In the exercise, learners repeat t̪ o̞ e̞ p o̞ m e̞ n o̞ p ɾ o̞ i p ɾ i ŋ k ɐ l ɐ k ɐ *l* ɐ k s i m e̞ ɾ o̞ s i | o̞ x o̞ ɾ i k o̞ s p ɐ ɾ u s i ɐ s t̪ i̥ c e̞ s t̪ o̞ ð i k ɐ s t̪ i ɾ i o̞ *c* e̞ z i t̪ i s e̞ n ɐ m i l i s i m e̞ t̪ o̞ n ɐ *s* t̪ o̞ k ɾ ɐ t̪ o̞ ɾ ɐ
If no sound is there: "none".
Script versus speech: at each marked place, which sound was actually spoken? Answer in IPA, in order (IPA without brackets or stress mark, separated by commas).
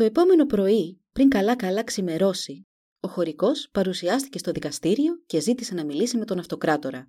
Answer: l, c, f